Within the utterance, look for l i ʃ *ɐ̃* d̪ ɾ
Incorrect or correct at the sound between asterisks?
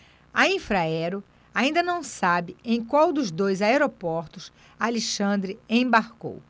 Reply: correct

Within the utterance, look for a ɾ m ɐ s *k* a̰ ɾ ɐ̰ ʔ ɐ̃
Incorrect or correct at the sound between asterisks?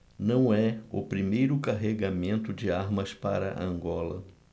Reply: incorrect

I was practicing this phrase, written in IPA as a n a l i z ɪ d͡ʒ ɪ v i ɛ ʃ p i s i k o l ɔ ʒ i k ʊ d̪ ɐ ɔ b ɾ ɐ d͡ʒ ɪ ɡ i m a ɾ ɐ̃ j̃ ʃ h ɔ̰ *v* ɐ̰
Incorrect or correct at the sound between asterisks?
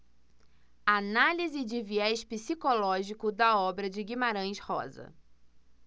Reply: incorrect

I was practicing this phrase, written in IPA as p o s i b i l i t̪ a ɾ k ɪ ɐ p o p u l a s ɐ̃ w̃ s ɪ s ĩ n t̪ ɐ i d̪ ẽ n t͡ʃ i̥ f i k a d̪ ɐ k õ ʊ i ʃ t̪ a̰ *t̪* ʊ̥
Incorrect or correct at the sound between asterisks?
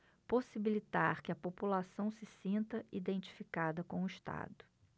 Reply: incorrect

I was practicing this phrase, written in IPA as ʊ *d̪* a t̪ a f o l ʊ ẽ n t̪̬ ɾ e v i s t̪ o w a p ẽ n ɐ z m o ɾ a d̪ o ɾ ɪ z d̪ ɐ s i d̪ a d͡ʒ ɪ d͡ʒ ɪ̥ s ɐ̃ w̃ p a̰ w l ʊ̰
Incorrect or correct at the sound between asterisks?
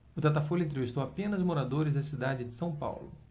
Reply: incorrect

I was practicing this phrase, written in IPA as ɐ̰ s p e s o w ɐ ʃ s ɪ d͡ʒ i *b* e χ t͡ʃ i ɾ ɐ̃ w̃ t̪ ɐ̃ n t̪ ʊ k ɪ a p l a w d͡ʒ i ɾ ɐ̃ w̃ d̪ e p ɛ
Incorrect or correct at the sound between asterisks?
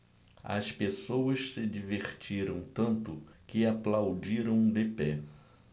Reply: incorrect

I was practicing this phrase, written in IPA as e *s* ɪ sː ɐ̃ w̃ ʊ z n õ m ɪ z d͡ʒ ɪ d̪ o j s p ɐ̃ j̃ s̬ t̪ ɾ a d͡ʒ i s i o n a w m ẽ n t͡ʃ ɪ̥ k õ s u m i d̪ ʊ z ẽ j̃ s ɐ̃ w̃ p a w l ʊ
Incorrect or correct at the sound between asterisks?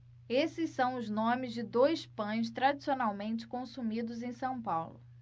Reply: correct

